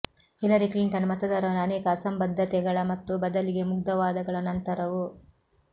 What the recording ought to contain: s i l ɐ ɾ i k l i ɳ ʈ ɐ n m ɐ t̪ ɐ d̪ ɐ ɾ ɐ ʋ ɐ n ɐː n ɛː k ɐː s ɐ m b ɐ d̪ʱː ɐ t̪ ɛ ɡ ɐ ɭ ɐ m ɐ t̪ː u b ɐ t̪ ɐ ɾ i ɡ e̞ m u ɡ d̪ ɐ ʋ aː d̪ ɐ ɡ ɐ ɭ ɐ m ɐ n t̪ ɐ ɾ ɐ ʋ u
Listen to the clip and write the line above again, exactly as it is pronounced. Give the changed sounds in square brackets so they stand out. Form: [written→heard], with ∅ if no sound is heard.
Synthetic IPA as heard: [s→h] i l ɐ ɾ i k l i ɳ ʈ ɐ n m ɐ t̪ ɐ d̪ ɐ ɾ ɐ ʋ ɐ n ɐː n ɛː k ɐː s ɐ m b ɐ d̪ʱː ɐ t̪ ɛ ɡ ɐ ɭ ɐ m ɐ t̪ː u b ɐ [t̪→d̪] ɐ [ɾ→l] i ɡ e̞ m u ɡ d̪ ɐ ʋ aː d̪ ɐ ɡ ɐ ɭ ɐ [m→n] ɐ n t̪ ɐ ɾ ɐ ʋ u